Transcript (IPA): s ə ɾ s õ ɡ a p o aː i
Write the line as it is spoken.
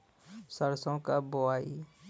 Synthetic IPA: s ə ɾ s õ k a b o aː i

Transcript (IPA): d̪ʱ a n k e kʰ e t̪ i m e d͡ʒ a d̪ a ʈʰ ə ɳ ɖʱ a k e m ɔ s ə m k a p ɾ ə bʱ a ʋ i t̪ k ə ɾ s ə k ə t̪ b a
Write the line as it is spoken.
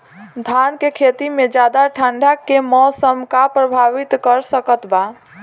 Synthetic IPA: d̪ʱ a n k e kʰ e t̪ i m e d͡ʒ a d̪ a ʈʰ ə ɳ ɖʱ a k e m ɔ s ə m k a p ɾ ə bʱ a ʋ i t̪ k ə ɾ s ə k ə t̪ b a

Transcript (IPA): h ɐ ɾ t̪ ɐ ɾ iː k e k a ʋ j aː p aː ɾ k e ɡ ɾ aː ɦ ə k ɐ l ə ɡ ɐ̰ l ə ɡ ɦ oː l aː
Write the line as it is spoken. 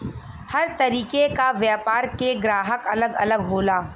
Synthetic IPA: h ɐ ɾ t̪ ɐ ɾ iː k e k a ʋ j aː p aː ɾ k e ɡ ɾ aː ɦ ə k ɐ l ə ɡ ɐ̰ l ə ɡ ɦ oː l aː

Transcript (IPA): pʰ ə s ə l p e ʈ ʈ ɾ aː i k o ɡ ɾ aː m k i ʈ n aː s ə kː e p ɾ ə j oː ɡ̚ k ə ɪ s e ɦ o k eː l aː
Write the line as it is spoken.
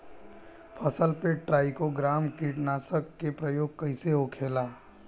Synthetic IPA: pʰ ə s ə l p e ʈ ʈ ɾ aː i k o ɡ ɾ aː m k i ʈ n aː s ə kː e p ɾ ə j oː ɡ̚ k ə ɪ s e ɦ o kʰ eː l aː

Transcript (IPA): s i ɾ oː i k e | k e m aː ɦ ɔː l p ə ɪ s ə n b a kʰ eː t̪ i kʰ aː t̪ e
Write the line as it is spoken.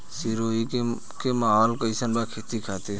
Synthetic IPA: s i ɾ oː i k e | k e m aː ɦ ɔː l k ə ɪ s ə n b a kʰ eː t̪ i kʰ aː t̪ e

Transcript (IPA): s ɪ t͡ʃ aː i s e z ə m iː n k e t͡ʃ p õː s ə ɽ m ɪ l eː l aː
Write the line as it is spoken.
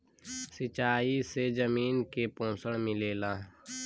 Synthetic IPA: s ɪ t͡ʃ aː i s e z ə m iː n k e p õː s ə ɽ m ɪ l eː l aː

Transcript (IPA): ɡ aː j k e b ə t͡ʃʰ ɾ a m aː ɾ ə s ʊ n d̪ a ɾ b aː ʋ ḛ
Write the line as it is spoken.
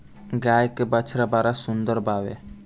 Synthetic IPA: ɡ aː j k e b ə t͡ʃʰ ɾ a b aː ɾ a s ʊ n d̪ ə ɾ b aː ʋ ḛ

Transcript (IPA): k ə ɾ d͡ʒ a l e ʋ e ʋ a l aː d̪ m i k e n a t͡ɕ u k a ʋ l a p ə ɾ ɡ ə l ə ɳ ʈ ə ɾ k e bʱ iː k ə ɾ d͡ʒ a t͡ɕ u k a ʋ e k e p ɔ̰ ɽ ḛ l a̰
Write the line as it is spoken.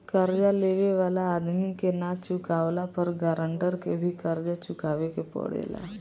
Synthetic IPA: k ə ɾ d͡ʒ a l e ʋ e ʋ a l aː d̪ m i k e n a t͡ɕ u k a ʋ l a p ə ɾ ɡ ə ɾ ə ɳ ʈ ə ɾ k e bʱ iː k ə ɾ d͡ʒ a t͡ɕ u k a ʋ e k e p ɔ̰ ɽ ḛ l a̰

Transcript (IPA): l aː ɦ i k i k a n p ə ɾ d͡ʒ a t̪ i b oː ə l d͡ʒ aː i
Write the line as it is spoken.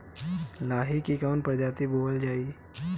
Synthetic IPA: l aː ɦ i k i k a n p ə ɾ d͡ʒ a t̪ i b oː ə l d͡ʒ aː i

